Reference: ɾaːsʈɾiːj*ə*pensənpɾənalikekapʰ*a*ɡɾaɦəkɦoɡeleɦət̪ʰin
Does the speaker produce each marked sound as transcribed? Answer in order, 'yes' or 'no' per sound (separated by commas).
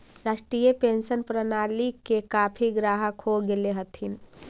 yes, no